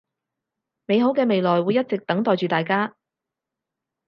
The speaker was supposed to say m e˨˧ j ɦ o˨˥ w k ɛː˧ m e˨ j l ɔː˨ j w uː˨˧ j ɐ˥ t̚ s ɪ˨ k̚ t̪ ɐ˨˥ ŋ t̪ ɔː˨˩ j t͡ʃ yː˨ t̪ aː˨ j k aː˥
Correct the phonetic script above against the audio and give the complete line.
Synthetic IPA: m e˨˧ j ɦ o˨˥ w k ɛː˧ m e˨ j l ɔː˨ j w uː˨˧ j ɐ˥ t̚ t͡s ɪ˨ k̚ t̪ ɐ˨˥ ŋ t̪ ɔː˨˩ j t͡ʃ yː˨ t̪ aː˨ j k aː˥